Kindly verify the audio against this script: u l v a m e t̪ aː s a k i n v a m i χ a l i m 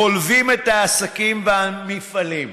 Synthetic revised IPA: o l v i m e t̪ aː s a k i m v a m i f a l i m

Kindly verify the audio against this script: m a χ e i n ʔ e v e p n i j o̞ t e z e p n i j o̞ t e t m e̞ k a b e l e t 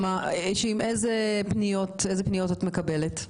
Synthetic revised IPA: m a ʃ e i m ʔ e z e p n i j o̞ t e z e p n i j o̞ t a t m e̞ k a b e l e t

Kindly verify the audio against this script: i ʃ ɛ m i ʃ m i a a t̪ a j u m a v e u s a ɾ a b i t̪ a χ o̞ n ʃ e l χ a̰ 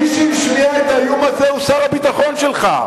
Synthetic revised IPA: i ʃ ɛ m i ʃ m i a e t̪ a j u m a z e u s a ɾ a b i t̪ a χ o̞ n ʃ e l χ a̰

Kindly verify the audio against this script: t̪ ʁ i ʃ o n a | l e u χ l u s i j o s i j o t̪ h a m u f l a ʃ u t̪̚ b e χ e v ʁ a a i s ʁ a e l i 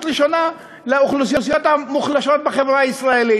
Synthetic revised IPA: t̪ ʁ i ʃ o n a | l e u χ l u s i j o s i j o t̪ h a m u χ l a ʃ o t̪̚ b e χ e v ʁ a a i s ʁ a e l i

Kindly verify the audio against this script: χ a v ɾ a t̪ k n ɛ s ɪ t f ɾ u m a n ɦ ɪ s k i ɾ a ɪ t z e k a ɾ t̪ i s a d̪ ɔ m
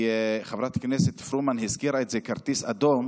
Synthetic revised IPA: χ a v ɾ a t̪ k n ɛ s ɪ t f ɾ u m a n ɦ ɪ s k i ɾ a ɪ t z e k a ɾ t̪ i s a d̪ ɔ m

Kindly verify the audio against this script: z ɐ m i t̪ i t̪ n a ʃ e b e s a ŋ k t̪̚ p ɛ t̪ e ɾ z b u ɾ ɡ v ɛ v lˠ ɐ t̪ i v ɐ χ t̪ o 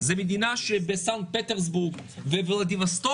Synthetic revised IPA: z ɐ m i d̪ i n a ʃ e b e s a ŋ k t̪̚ p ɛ t̪ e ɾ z b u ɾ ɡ v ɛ v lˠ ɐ d̪ i v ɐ s t̪ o

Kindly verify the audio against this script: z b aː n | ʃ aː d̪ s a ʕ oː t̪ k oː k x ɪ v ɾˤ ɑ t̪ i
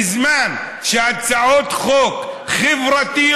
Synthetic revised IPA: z m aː n | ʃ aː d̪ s a ʕ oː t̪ x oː k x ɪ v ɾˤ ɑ t̪ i

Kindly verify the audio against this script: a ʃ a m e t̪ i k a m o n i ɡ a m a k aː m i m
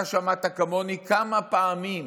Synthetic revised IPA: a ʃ a m a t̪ a k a m o n i k a m a p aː m i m

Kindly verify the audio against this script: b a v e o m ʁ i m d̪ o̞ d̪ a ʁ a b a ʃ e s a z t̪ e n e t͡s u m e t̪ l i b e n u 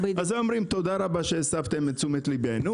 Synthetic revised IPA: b a z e o m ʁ i m t̪ o̞ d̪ a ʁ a b a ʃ e s a v t̪ e m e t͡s u m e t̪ l i b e n u

